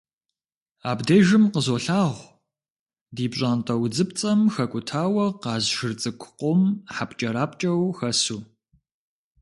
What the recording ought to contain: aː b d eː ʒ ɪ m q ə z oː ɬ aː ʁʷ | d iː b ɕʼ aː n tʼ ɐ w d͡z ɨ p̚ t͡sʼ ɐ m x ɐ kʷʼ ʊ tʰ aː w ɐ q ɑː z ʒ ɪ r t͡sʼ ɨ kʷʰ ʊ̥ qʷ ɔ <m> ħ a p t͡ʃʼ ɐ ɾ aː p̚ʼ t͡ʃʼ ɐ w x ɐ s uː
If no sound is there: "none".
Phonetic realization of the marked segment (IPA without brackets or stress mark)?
m